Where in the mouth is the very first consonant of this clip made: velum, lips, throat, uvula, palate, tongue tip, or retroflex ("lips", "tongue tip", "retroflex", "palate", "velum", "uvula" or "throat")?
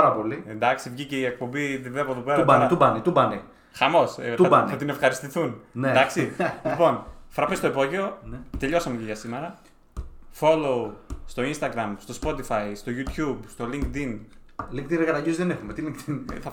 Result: tongue tip